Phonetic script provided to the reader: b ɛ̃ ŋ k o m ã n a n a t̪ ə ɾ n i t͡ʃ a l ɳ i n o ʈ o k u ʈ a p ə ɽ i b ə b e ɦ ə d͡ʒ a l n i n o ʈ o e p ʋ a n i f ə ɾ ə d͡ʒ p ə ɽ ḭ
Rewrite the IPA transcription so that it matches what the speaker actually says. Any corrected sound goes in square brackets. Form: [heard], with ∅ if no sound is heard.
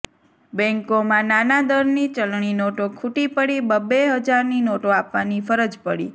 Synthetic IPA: b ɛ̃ ŋ k o m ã n a n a [d̪] ə ɾ n i t͡ʃ [ə] l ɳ i n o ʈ o [kʰ] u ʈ [i] p ə ɽ i b ə b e ɦ ə d͡ʒ a [ɾ] n i n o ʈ o [a] p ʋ a n i f ə ɾ ə d͡ʒ p ə ɽ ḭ